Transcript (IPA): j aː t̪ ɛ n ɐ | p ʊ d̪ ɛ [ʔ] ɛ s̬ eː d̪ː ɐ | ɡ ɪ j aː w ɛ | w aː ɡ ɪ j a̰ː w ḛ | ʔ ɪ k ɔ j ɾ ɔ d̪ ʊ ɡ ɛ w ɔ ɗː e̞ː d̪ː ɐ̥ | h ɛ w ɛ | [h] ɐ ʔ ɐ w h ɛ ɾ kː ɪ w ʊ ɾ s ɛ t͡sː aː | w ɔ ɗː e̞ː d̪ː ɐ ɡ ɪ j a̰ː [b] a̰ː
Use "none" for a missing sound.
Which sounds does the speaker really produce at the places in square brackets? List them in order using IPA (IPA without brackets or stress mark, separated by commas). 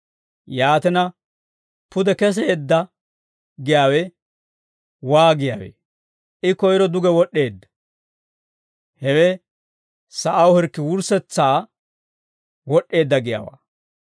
k, s, w